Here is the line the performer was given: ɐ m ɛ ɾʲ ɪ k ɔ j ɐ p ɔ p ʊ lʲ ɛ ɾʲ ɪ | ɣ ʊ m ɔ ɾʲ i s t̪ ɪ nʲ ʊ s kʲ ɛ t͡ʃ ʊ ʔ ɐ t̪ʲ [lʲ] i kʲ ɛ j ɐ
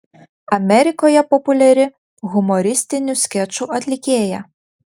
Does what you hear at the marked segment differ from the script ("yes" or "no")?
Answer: no